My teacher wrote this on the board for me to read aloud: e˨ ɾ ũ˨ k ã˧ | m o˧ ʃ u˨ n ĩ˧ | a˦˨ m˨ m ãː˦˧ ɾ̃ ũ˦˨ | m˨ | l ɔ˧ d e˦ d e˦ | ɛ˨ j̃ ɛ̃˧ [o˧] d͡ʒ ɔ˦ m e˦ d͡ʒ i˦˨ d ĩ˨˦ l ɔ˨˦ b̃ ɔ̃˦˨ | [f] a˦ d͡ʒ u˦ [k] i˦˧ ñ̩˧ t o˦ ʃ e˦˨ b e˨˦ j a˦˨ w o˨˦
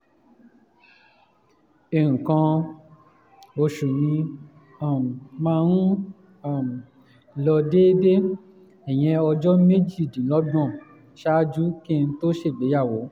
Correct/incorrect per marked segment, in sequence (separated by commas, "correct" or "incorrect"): incorrect, incorrect, correct